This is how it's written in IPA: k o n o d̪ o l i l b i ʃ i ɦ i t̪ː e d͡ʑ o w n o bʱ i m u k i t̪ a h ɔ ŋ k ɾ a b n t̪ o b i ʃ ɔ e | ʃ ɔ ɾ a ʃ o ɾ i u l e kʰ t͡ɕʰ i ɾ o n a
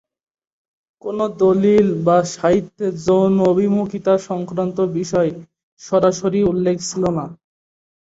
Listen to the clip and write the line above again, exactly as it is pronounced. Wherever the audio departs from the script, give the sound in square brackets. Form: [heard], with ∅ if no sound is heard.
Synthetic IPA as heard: k o n o d̪ o l i l b [a] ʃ [a] ɦ i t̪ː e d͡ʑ o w n o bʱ i m u k i t̪ a [ʃ] ɔ ŋ k ɾ a [∅] n t̪ o b i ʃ ɔ e | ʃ ɔ ɾ a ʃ o ɾ i u [lː] e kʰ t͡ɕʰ i [l] o n a